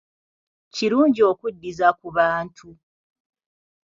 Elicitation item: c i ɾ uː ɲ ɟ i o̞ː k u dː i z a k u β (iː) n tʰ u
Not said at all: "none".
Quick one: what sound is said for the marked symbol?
aː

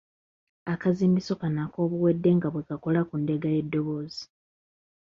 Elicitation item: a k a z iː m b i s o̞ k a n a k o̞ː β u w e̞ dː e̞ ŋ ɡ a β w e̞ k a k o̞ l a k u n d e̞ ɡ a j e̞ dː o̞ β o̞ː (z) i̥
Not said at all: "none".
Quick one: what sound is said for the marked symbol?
z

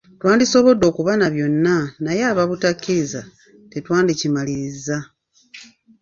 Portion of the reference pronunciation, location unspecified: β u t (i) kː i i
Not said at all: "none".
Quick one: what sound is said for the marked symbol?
a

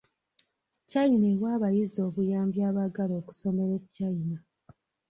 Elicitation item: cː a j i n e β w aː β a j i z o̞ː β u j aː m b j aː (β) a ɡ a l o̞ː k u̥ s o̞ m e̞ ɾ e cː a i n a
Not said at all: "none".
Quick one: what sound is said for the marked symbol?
β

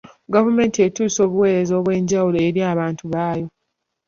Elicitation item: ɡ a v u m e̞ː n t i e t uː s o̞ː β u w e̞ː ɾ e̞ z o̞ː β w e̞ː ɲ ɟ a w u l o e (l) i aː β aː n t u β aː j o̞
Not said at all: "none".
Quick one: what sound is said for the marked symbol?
ɾ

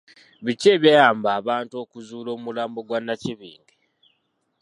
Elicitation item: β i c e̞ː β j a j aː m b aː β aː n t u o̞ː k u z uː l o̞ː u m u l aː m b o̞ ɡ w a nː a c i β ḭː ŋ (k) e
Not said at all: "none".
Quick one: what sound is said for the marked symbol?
ɡ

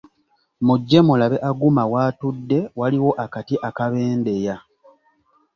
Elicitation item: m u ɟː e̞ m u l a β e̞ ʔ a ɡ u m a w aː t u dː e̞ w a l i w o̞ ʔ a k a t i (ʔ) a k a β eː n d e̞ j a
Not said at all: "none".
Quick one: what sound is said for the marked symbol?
ʔ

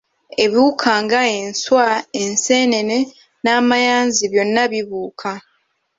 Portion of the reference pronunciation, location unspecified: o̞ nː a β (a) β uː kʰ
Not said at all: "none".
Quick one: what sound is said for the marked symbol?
i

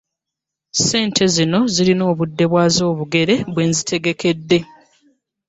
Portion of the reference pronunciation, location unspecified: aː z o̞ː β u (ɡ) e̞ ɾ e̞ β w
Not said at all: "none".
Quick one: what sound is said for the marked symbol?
ɡ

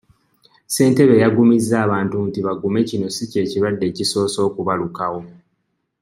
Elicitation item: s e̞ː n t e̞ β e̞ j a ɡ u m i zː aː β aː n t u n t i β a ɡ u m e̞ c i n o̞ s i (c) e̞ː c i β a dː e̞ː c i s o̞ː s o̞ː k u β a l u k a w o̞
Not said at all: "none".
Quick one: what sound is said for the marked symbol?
c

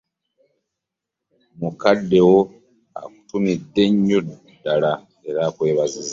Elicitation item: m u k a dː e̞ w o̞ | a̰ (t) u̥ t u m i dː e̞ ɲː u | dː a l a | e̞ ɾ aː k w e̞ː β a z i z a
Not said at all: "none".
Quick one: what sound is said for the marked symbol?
k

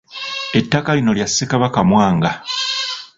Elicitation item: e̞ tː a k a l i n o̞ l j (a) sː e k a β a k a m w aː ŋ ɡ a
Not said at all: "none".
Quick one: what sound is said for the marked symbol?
a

